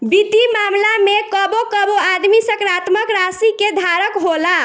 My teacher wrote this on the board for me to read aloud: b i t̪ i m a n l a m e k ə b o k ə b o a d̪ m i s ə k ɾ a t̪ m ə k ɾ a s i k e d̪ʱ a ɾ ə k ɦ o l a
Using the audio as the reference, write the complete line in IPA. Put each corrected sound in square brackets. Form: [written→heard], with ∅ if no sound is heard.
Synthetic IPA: b i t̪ i m a [n→m] l a m e k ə b o k ə b o a d̪ m i s ə k ɾ a t̪ m ə k ɾ a s i k e d̪ʱ a ɾ ə k ɦ o l a